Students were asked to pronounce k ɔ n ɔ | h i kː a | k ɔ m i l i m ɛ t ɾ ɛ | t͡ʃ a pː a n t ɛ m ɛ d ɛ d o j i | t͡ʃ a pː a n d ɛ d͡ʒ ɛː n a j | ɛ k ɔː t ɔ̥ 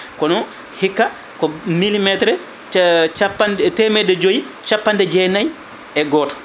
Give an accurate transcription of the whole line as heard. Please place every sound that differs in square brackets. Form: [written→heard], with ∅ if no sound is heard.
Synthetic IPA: k ɔ n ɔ | h i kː a | k ɔ m i l i m ɛ t ɾ ɛ | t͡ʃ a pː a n t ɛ m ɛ d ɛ [d→d͡ʒ] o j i | t͡ʃ a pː a n d ɛ d͡ʒ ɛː n a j | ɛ [k→ɡ] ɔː t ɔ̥